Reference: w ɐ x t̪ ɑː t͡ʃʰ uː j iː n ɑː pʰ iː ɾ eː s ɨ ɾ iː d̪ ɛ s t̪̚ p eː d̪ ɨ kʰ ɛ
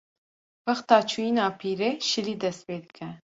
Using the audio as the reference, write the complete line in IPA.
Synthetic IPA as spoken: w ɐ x t̪ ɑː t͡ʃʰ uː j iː n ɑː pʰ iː ɾ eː ʃ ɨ l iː d̪ ɛ s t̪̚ p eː d̪ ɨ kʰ ɛ